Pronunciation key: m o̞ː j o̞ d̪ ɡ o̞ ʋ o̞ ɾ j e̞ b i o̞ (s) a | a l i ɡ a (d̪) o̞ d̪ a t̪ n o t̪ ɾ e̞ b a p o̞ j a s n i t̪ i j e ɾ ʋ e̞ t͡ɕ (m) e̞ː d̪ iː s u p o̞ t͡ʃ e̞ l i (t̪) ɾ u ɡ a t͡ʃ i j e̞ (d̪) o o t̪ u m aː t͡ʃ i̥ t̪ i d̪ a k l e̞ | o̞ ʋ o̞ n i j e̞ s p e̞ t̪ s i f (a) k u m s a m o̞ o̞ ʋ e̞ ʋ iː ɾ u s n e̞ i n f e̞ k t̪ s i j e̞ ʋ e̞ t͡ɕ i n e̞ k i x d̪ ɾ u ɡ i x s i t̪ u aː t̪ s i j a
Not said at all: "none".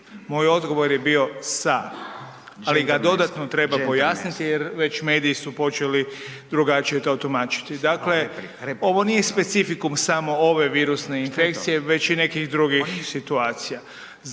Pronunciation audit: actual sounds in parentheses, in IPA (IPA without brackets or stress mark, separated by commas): s, d̪, m, d̪, t̪, i